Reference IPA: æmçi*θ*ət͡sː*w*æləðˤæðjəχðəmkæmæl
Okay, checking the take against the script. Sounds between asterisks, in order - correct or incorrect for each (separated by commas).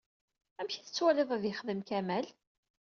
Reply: correct, correct